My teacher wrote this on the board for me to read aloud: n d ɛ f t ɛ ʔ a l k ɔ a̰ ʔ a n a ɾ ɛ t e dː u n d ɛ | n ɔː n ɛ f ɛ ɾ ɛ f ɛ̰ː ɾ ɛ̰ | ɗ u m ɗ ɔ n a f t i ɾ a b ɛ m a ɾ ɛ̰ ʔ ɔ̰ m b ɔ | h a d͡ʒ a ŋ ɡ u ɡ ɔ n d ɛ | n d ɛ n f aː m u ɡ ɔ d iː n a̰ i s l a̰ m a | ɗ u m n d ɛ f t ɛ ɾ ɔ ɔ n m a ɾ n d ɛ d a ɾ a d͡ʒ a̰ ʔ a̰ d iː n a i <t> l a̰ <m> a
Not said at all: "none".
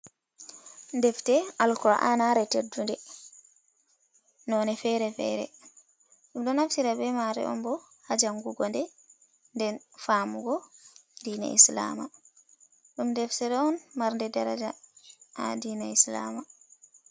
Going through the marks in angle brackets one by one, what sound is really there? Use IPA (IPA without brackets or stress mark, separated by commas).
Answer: s, m